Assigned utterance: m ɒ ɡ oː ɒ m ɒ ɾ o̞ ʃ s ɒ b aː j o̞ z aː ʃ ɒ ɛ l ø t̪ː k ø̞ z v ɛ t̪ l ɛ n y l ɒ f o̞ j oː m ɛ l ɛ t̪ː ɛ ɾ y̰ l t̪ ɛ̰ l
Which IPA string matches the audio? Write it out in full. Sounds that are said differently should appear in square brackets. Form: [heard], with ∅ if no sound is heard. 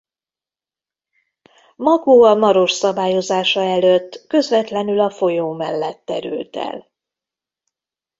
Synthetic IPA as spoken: m ɒ ɡ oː ɒ m ɒ ɾ o̞ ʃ s ɒ b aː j o̞ z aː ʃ ɒ ɛ l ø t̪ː k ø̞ z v ɛ t̪ l ɛ n y l ɒ f o̞ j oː m ɛ [lː] ɛ t̪ː ɛ ɾ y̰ l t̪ ɛ̰ l